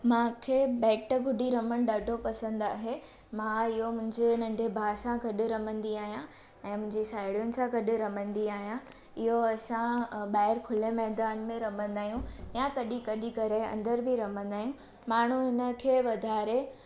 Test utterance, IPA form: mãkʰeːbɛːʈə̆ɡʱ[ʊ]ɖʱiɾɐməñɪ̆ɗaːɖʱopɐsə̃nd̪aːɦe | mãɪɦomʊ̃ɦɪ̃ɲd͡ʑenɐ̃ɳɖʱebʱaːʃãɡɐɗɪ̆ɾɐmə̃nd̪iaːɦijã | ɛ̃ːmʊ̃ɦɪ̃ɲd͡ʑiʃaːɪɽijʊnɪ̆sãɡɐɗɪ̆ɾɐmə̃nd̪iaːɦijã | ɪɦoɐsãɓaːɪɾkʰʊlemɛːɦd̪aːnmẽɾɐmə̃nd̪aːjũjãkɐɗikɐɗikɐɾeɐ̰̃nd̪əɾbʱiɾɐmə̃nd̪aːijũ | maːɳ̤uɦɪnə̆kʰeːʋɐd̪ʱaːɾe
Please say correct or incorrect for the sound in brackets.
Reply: correct